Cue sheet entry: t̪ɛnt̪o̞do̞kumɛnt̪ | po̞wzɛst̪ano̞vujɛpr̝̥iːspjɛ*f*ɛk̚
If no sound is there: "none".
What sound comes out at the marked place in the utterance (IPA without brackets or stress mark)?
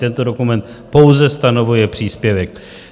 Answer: v